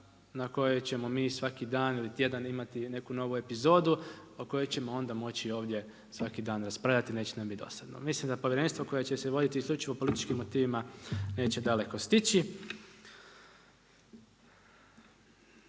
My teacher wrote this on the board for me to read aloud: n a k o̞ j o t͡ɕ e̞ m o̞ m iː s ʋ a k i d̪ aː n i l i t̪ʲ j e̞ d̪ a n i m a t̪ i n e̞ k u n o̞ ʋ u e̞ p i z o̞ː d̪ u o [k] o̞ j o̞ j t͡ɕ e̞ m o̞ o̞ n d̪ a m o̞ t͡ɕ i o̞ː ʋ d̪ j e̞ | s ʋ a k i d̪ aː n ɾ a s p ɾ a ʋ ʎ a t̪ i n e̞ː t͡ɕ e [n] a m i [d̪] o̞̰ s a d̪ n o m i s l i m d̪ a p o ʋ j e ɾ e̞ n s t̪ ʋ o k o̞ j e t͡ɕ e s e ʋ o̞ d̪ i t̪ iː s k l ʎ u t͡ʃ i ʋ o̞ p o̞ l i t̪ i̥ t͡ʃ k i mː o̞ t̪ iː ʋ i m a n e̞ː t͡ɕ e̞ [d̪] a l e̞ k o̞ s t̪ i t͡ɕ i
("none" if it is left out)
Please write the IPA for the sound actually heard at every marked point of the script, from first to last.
k, n, d̪, d̪

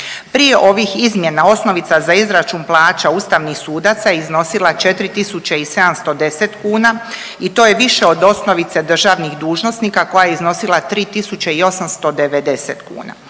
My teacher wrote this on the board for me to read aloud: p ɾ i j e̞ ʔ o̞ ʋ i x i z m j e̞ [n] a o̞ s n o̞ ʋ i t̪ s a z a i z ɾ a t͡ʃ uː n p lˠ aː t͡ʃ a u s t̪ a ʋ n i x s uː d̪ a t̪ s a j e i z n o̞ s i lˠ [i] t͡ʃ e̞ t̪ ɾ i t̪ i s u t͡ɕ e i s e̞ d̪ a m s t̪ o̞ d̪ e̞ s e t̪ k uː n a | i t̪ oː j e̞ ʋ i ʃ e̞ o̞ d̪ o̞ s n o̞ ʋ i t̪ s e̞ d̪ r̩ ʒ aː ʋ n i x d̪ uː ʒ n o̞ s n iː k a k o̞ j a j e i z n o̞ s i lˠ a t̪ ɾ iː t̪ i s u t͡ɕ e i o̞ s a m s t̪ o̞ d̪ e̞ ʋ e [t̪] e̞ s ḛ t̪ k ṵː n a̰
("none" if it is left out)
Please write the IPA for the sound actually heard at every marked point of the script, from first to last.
n, a, d̪

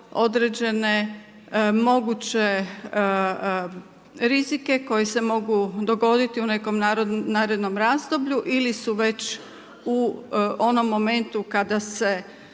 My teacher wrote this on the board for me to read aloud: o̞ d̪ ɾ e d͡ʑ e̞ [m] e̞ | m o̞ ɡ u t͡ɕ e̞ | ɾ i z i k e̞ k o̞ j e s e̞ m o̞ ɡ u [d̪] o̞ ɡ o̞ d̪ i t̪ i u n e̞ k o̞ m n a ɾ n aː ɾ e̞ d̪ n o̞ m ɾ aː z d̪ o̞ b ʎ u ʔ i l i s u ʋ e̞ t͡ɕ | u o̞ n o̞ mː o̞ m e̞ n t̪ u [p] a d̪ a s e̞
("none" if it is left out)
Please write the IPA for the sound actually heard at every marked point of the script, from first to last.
n, d̪, k

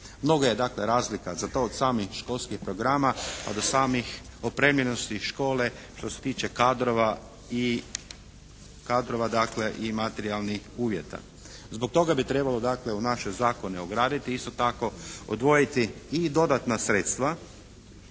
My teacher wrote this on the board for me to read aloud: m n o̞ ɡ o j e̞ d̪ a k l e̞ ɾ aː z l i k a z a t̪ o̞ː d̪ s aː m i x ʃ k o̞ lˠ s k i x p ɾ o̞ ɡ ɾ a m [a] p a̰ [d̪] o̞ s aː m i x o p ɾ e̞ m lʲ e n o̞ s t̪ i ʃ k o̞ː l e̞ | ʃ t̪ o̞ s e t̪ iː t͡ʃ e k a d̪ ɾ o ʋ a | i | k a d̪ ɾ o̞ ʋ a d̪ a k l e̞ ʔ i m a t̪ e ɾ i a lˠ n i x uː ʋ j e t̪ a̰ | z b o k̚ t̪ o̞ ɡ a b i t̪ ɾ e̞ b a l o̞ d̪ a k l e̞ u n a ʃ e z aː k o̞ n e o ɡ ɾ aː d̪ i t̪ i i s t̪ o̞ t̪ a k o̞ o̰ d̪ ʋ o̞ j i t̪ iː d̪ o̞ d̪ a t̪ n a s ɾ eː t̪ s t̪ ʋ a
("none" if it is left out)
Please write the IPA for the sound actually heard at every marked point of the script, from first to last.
a, d̪

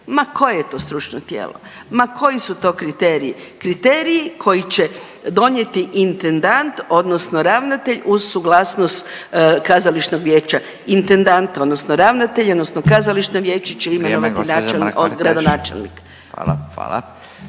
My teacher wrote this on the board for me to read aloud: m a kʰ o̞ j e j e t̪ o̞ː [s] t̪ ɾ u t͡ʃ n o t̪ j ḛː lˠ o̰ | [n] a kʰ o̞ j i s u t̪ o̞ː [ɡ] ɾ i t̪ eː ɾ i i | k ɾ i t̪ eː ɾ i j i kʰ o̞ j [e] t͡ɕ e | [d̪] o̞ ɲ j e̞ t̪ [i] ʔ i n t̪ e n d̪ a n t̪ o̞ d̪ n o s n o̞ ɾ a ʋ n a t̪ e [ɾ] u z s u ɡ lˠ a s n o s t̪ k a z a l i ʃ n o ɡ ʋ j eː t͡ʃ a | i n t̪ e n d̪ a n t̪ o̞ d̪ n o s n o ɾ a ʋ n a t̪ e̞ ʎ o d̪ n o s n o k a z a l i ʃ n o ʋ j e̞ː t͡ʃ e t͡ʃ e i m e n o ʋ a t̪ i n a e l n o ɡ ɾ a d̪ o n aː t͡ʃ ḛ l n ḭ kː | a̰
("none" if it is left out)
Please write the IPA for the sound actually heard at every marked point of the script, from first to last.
s, m, k, i, d̪, i, ʎ

